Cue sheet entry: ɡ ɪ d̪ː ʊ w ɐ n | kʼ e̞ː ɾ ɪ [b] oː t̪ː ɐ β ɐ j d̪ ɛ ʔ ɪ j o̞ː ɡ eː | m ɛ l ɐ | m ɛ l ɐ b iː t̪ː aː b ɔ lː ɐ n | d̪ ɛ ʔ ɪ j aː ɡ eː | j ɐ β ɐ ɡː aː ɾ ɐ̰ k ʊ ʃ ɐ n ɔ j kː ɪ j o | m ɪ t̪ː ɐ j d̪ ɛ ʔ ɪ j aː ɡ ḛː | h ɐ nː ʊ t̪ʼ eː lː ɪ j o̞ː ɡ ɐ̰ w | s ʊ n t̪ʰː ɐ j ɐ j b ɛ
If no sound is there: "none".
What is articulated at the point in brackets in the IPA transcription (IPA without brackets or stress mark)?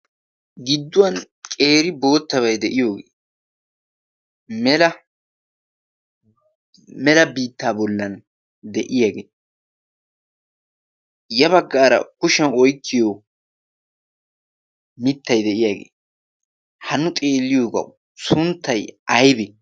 b